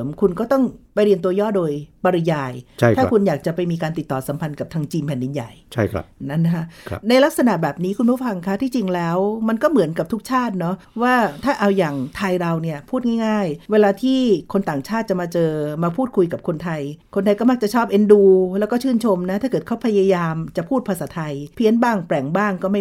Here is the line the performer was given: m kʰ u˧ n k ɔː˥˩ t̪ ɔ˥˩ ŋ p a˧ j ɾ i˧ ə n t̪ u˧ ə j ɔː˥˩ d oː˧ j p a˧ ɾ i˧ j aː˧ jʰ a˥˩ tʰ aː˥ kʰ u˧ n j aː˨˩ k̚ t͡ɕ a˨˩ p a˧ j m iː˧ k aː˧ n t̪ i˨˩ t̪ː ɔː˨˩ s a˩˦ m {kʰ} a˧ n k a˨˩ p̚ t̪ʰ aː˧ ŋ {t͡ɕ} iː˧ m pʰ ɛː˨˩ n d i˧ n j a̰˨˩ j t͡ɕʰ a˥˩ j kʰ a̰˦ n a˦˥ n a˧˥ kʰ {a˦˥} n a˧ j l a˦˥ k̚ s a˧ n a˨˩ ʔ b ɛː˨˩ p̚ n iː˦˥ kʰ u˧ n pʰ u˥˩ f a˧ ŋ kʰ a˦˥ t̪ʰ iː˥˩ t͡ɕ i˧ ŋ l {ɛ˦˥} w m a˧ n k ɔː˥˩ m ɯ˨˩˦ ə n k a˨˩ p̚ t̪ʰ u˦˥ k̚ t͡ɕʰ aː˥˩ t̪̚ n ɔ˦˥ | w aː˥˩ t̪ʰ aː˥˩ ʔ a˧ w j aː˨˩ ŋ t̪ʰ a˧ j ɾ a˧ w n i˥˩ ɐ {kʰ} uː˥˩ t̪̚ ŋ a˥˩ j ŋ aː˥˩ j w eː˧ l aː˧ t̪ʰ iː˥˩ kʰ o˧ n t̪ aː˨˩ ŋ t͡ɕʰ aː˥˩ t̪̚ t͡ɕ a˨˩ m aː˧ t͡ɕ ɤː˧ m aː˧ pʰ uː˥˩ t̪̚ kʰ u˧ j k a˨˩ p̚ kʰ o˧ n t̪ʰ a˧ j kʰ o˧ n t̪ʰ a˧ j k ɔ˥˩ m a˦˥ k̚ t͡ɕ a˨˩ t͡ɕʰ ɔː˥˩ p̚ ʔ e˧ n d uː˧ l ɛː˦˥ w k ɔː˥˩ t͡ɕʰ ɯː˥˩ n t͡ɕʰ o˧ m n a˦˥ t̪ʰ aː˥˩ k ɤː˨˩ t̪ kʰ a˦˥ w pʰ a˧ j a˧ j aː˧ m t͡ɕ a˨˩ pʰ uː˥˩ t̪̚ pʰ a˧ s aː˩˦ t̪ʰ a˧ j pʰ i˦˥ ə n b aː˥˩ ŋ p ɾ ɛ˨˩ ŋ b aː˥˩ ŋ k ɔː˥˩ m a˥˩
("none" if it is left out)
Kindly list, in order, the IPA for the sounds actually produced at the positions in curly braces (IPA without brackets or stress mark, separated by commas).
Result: pʰ, t͡ɕ, a˦˥, ɛː˦˥, pʰ